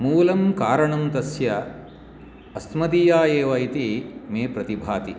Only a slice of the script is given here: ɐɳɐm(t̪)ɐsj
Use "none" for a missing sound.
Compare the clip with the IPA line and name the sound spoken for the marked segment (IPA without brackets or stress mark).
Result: t̪